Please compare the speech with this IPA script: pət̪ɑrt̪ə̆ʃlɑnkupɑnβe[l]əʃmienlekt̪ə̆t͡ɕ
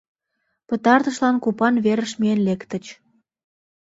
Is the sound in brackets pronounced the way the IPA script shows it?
no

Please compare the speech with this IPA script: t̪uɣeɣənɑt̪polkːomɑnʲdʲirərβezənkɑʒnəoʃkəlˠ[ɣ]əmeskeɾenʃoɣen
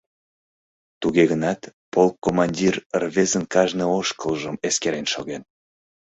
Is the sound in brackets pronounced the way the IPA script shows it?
no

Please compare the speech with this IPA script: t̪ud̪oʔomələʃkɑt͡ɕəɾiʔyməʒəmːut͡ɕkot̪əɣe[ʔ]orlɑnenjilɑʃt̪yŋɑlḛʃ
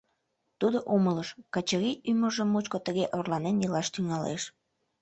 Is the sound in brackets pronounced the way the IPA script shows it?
yes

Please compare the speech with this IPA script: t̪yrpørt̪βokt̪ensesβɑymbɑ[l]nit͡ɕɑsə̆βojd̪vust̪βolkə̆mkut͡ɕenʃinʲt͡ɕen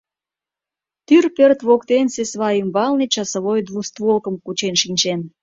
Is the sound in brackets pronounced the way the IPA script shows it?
yes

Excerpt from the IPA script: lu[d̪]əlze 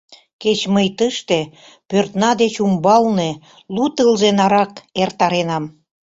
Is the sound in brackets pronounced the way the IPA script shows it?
no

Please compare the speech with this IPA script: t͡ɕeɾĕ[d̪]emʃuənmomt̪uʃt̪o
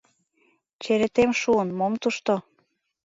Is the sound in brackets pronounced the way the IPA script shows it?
no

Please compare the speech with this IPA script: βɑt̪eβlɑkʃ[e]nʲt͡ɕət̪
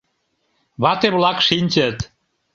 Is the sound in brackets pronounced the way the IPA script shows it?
no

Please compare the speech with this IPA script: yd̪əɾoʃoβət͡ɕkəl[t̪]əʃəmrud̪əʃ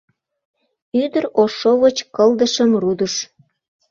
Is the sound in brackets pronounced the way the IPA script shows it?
no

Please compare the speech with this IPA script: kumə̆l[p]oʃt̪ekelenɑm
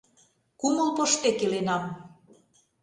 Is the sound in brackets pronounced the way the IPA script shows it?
yes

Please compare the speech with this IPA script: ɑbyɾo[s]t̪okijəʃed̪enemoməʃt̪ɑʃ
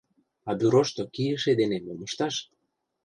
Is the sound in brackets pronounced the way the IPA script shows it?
no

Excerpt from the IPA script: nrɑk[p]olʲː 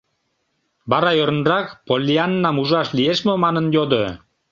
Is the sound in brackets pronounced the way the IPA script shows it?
yes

